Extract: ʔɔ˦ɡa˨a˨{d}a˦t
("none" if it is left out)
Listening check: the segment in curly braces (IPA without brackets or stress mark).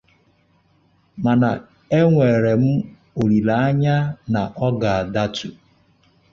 d